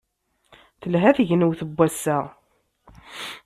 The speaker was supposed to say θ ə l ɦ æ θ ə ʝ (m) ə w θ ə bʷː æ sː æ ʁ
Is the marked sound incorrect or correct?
incorrect